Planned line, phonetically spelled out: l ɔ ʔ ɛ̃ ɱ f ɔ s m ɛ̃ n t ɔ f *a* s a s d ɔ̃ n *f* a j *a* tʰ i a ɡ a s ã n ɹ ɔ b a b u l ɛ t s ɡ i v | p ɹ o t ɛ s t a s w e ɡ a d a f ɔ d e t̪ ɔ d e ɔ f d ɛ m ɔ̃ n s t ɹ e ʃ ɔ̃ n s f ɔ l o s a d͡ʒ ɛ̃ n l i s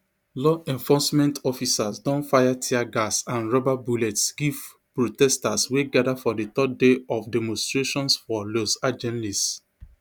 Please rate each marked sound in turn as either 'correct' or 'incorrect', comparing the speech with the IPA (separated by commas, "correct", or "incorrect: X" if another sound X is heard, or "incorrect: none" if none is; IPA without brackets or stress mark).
incorrect: i, correct, correct